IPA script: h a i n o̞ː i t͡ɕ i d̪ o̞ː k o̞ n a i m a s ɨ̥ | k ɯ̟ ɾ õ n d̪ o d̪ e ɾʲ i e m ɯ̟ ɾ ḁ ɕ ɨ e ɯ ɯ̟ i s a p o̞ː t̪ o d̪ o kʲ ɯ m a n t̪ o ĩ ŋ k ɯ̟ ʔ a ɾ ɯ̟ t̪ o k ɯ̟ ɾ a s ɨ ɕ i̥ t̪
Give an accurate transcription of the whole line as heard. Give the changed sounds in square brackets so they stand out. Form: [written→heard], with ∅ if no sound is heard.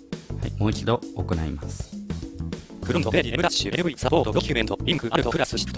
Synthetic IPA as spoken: h a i [n→m] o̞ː i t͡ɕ i d̪ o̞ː k o̞ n a i m a s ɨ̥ | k ɯ̟ ɾ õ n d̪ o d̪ e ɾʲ i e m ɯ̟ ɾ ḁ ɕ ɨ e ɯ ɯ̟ i s a p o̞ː t̪ o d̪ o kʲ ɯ m [a→e] n t̪ o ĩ ŋ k ɯ̟ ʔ a ɾ ɯ̟ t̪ o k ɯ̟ ɾ a s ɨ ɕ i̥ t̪